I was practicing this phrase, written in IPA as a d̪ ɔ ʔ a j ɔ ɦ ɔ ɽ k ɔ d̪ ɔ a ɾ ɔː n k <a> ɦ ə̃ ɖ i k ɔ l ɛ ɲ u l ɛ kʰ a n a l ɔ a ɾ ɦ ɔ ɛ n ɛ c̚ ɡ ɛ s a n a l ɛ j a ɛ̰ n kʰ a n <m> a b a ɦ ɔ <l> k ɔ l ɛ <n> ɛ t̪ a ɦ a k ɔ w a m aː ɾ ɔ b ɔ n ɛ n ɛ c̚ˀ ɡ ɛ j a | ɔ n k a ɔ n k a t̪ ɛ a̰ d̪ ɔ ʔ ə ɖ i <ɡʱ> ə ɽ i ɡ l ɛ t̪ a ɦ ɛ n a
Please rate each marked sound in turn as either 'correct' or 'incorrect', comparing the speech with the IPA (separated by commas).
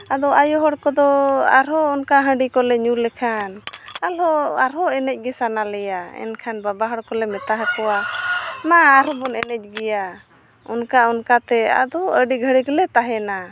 correct, incorrect, incorrect, incorrect, correct